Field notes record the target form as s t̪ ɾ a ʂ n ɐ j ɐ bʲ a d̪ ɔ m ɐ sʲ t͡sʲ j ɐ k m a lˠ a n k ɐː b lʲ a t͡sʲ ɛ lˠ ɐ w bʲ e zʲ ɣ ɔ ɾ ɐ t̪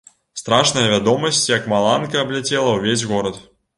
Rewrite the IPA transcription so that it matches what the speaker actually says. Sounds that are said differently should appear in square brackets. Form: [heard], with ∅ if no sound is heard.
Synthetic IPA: s t̪ ɾ a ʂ n ɐ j ɐ [vʲ] a d̪ ɔ m ɐ sʲ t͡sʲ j ɐ k m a lˠ a n k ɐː b lʲ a t͡sʲ ɛ lˠ ɐ w [vʲ] e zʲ ɣ ɔ ɾ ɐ t̪